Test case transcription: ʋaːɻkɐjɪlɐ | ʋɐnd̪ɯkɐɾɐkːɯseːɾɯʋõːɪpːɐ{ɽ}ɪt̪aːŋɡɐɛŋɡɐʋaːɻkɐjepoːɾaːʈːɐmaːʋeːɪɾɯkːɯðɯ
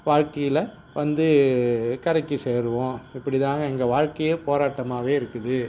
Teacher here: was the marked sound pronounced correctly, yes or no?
yes